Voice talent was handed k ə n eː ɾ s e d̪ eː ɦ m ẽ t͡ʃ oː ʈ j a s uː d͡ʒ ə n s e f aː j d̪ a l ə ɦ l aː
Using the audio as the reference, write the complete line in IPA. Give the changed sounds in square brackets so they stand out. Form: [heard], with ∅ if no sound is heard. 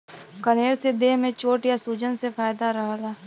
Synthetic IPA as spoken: k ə n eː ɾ s e d̪ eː ɦ m ẽ t͡ʃ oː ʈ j a s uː d͡ʒ ə n s e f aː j d̪ a [ɾ] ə ɦ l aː

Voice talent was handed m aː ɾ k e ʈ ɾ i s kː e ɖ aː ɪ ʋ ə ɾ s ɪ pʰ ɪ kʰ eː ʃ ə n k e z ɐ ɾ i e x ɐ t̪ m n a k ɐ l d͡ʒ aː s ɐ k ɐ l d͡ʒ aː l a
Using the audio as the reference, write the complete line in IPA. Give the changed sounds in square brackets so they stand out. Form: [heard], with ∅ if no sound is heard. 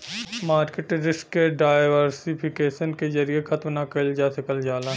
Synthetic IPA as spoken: m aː ɾ k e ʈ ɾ [ɪ] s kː e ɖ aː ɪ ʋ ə ɾ s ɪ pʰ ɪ [k] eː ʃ ə n k e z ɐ ɾ i e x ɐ t̪ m n a k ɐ l d͡ʒ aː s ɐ k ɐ l d͡ʒ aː l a

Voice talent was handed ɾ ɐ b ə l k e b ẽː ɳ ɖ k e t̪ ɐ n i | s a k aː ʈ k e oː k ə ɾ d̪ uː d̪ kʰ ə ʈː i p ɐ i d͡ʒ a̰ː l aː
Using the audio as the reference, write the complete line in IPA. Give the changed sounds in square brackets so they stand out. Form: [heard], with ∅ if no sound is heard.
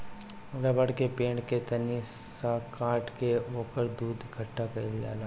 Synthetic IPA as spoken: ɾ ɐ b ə [ɽ] k e [p] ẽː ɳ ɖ k e t̪ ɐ n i | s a k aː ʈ k e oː k ə ɾ d̪ uː d̪ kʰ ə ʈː [a] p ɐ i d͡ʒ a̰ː l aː

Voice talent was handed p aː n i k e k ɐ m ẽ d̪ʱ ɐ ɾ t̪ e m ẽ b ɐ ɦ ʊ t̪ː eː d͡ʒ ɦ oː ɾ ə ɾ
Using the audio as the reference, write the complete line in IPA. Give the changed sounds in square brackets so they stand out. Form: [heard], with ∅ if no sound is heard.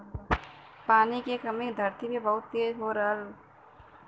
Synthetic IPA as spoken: p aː n i k e k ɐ m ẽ d̪ʱ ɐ ɾ t̪ [i] m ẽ b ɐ ɦ ʊ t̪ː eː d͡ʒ ɦ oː ɾ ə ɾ

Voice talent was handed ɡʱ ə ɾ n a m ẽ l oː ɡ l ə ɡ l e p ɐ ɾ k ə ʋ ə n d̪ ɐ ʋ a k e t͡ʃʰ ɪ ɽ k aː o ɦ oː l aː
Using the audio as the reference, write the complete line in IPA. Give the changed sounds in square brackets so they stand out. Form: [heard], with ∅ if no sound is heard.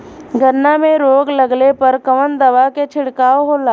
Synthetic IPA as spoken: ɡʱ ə ɾ n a m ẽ [ɾ] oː ɡ l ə ɡ l e p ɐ ɾ k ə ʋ ə n d̪ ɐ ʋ a k e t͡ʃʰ ɪ ɽ k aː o ɦ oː l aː

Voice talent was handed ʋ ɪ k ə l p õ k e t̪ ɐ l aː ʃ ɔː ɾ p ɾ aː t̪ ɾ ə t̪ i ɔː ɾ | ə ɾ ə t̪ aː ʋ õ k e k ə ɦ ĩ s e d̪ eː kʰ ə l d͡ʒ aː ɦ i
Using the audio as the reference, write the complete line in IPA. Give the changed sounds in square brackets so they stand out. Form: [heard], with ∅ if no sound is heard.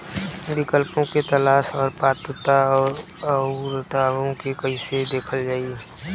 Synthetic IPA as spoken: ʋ ɪ k ə l p õ k e t̪ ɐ l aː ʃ ɔː ɾ p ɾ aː t̪ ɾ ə t̪ [a] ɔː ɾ | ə ɾ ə t̪ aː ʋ õ k e k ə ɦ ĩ s e d̪ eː kʰ ə l d͡ʒ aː [∅] i

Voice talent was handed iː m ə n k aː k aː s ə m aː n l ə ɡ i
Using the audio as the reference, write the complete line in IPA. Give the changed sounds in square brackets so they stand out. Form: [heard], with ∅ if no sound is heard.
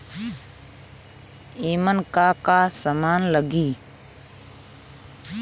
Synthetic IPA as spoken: iː m ə n k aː k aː s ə m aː n l ə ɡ [iː]

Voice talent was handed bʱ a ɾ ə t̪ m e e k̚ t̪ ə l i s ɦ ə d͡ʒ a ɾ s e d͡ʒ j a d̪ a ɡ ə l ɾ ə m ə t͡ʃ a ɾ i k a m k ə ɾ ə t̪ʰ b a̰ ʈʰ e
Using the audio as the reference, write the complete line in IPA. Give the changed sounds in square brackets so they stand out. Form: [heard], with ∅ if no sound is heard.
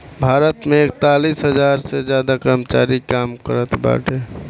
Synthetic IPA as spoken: bʱ a ɾ ə t̪ m e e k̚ t̪ [a] l i s ɦ ə d͡ʒ a ɾ s e d͡ʒ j a d̪ a [k] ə [∅] ɾ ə m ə t͡ʃ a ɾ i k a m k ə ɾ ə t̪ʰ b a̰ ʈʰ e

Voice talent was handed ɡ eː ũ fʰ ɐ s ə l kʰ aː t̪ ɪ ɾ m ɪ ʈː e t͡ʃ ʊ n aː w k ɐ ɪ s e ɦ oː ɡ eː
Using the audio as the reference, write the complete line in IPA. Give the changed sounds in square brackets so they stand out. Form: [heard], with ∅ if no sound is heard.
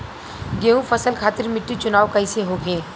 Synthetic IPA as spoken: ɡ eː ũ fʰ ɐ s ə l kʰ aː t̪ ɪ ɾ m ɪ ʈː [i] t͡ʃ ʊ n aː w k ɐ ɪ s e ɦ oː ɡ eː

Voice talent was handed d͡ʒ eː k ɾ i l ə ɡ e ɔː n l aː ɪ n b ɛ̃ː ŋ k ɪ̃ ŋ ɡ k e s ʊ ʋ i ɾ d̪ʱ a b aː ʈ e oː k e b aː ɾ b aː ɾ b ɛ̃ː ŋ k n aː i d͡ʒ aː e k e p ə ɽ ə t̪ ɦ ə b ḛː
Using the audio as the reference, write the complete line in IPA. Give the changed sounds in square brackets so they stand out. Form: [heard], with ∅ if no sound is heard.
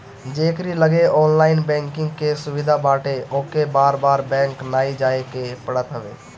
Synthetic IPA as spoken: d͡ʒ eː k ɾ i l ə ɡ e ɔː n l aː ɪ n b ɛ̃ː ŋ k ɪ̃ ŋ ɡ k e s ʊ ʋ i [∅] d̪ʱ a b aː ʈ e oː k e b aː ɾ b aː ɾ b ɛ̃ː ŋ k n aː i d͡ʒ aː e k e p ə ɽ ə t̪ ɦ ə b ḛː

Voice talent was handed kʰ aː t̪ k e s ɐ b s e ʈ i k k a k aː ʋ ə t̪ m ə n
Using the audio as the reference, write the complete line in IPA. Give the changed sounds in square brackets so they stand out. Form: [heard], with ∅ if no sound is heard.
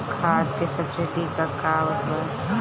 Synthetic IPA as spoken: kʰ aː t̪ k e s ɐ b s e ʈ i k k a k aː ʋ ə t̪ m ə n

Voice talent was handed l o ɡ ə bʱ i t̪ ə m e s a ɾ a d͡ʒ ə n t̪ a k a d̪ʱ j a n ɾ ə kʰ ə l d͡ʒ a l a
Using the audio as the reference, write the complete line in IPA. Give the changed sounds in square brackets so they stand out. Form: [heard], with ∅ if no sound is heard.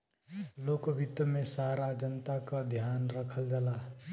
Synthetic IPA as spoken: l o [k] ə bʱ i t̪ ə m e s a ɾ a d͡ʒ ə n t̪ a k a d̪ʱ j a n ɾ ə kʰ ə l d͡ʒ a l a

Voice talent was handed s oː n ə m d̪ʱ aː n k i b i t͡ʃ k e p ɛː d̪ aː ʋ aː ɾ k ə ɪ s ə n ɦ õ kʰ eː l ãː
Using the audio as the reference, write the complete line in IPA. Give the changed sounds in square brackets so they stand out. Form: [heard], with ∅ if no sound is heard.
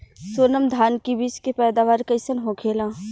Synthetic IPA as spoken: s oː n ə m d̪ʱ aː n k i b i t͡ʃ k e p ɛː d̪ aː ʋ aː ɾ k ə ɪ s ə n ɦ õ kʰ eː l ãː

